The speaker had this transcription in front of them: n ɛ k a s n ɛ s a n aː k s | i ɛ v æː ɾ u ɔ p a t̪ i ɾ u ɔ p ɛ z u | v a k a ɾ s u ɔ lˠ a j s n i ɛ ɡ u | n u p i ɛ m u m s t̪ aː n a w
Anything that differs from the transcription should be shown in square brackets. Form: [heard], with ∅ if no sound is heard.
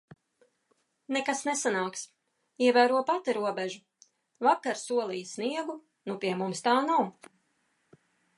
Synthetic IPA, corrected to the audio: n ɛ k a s n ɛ s a n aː k s | i ɛ v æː ɾ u ɔ p a t̪ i ɾ u ɔ [b] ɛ [ʒ] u | v a k a ɾ s u ɔ lˠ [i] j s n i ɛ ɡ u | n u p i ɛ m u m s t̪ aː n a w